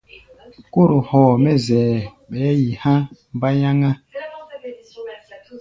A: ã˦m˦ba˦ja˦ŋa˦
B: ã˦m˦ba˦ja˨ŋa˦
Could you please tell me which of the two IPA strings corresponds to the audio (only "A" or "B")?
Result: A